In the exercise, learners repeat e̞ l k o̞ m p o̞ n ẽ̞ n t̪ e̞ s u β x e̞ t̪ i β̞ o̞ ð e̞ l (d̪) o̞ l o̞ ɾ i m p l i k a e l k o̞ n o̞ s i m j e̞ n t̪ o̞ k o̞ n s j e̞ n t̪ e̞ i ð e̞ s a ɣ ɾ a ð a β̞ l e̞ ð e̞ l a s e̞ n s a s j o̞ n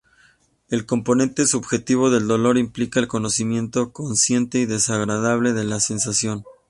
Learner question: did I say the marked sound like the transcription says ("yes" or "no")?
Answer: yes